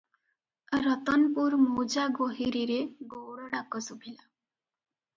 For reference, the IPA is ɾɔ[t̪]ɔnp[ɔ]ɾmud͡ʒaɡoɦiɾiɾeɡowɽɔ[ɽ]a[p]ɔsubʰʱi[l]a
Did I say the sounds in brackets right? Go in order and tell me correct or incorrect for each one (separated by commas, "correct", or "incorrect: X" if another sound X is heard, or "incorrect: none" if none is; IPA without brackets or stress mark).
correct, incorrect: u, correct, incorrect: k, correct